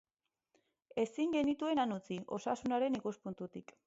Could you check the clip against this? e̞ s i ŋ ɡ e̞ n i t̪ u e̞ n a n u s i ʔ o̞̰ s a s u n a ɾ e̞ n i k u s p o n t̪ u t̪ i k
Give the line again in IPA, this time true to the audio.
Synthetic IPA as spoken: e̞ s i ŋ ɡ e̞ n i t̪ u e̞ n a n u t͡s i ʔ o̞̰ s a s u n a ɾ e̞ n i k u s p u n t̪ u t̪ i k